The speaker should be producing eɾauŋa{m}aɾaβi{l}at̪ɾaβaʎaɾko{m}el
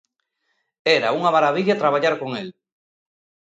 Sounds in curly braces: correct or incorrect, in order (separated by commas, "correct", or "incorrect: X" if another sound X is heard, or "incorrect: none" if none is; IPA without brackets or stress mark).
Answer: correct, incorrect: ʎ, incorrect: ŋ